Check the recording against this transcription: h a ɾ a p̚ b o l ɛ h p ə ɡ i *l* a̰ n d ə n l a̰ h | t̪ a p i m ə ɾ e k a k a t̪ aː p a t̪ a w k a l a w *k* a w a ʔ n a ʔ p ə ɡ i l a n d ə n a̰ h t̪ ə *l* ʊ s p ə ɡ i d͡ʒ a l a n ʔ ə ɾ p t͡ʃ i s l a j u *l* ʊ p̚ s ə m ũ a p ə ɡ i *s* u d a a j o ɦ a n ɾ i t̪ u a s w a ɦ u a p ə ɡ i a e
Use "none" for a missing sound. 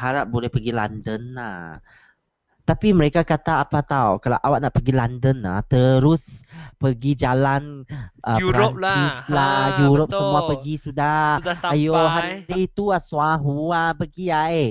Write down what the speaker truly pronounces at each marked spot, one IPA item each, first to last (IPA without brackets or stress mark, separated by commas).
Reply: l, ʔ, ɾ, ɾ, s